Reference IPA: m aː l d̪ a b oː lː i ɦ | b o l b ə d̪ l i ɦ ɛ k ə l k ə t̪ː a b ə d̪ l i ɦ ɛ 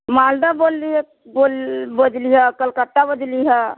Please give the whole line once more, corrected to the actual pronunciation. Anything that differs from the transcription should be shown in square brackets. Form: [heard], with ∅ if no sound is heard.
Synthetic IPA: m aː l d̪ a b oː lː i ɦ | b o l b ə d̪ l i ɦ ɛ k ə l k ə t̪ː a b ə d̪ l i ɦ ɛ